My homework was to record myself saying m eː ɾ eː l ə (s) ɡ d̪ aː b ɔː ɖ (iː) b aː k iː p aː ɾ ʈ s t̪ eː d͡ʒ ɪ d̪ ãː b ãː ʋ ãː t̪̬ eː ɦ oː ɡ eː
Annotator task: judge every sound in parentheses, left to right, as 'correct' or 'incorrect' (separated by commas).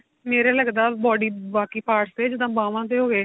incorrect, correct